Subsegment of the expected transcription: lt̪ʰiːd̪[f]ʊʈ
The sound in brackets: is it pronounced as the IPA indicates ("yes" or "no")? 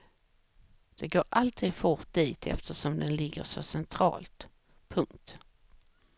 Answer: yes